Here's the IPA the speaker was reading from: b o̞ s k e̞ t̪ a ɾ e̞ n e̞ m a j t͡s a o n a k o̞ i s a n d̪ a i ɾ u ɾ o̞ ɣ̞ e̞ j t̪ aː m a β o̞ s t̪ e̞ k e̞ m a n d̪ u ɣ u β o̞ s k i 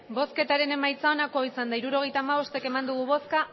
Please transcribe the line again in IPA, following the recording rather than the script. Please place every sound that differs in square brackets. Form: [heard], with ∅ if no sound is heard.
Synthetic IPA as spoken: b o̞ s k e̞ t̪ a ɾ e̞ n e̞ m a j t͡s a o n a k o̞ i s a n d̪ a i ɾ u ɾ o̞ ɣ̞ e̞ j t̪ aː m a β o̞ s t̪ e̞ k e̞ m a n d̪ u ɣ u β o̞ s k [a]